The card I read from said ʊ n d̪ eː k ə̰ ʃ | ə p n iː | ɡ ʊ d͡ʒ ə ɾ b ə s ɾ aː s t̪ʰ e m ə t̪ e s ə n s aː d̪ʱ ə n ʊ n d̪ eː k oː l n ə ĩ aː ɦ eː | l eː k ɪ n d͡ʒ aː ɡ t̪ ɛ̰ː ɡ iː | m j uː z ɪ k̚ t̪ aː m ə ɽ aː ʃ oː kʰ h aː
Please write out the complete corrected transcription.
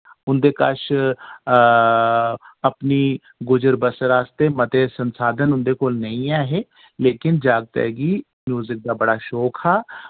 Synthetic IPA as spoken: ʊ n d̪ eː k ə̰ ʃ | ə p n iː | ɡ ʊ d͡ʒ ə ɾ b ə s ɾ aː s t̪ e m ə t̪ e s ə n s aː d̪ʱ ə n ʊ n d̪ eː k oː l n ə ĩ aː ɦ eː | l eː k ɪ n d͡ʒ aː ɡ t̪ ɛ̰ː ɡ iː | m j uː z ɪ k̚ d̪ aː b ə ɽ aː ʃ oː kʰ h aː